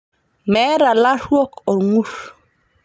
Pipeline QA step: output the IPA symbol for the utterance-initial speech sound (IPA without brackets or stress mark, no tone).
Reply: m